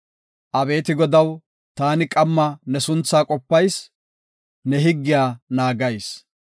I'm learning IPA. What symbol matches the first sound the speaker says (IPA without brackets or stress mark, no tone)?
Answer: ʔ